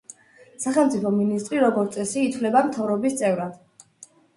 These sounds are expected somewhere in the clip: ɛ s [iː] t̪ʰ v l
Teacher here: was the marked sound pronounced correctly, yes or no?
yes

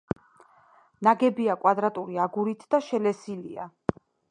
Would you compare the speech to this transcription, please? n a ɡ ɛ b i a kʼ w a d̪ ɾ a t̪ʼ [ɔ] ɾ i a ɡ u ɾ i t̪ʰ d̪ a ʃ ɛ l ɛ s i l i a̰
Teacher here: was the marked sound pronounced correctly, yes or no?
no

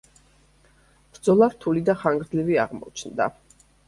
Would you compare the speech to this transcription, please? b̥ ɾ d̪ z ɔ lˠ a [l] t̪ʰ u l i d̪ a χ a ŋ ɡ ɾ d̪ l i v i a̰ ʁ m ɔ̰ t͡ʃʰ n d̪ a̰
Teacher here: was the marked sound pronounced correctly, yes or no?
no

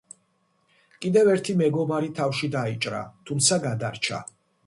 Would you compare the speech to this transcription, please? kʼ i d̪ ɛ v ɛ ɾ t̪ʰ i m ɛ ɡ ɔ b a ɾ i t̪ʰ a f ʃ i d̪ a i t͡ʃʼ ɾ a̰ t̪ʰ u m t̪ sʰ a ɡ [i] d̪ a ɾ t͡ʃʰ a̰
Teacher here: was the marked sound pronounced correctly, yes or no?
no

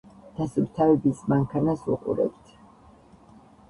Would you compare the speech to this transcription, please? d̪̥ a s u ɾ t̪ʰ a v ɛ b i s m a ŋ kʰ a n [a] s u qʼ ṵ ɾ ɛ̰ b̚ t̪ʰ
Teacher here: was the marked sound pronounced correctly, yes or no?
yes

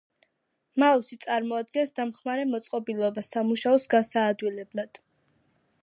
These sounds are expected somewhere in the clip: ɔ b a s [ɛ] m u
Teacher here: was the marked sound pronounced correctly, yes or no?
no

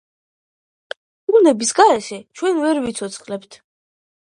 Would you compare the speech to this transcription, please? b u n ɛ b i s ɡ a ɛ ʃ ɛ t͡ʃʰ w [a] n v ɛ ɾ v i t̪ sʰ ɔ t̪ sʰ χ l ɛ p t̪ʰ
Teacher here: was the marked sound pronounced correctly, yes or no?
no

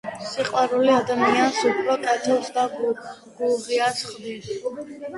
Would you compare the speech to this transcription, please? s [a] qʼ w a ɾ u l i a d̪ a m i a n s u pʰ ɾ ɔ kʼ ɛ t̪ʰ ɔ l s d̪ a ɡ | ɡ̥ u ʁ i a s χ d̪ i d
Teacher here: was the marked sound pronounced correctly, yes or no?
no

